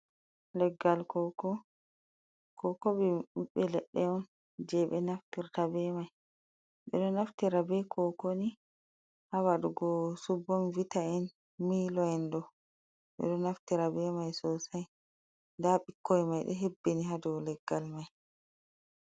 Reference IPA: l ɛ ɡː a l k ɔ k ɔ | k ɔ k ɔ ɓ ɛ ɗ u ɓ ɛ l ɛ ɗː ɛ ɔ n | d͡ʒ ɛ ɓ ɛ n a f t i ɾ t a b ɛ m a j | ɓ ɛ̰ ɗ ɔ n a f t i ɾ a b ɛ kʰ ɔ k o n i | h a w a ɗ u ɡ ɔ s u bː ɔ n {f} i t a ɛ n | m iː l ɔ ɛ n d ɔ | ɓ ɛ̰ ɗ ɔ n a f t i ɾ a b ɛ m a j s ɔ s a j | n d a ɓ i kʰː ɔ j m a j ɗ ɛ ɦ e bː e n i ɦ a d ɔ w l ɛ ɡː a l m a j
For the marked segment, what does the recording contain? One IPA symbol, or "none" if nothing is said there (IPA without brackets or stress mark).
v